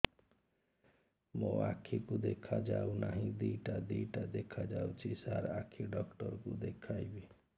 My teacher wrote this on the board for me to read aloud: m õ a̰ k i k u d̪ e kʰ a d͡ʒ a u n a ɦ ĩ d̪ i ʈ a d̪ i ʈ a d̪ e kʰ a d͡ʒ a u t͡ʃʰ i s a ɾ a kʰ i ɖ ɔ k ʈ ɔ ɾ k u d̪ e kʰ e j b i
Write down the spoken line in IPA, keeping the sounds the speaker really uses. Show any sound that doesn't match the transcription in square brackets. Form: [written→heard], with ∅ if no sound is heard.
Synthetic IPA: m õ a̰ [k→kʰ] i k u d̪ e kʰ a d͡ʒ a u n a ɦ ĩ d̪ i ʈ a d̪ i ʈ a d̪ e kʰ a d͡ʒ a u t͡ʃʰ i s a ɾ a kʰ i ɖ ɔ k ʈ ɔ ɾ k u d̪ e kʰ [e→a] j b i